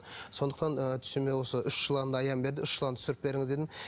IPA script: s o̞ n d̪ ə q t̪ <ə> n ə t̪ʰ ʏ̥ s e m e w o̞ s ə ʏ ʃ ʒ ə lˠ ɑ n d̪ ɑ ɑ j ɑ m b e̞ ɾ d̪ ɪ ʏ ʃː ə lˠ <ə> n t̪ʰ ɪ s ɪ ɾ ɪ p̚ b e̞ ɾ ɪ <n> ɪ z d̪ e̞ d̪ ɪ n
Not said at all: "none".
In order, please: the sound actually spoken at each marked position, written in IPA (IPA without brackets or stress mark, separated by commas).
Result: ɑ, ɑ, ŋ